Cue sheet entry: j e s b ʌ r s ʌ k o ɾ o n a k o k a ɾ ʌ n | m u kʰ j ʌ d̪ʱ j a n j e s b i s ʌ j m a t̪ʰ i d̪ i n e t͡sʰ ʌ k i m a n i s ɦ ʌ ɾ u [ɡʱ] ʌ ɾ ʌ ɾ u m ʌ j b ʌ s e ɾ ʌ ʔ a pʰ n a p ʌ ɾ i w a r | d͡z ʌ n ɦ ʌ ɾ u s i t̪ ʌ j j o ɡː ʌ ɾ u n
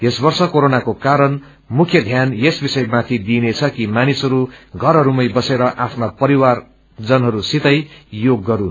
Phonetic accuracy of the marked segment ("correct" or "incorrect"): correct